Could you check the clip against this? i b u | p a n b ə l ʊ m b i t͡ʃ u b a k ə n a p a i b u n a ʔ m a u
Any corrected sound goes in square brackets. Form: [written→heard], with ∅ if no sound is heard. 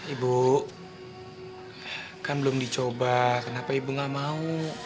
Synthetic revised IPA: i b u | [p→k] a n b ə l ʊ m [b→d] i t͡ʃ [u→o] b a k ə n a p a i b u [n→ŋ] a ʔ m a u